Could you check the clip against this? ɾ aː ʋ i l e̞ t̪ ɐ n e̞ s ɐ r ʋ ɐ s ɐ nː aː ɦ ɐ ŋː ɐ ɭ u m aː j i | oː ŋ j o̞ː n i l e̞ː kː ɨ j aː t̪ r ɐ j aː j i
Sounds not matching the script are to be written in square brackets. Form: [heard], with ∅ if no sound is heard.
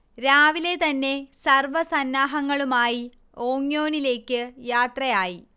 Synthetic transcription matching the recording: ɾ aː ʋ i l e̞ t̪ ɐ [nː] e̞ s ɐ r ʋ ɐ s ɐ nː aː ɦ ɐ ŋː ɐ ɭ u m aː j i | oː ŋ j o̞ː n i l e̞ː kː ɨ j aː t̪ r ɐ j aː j i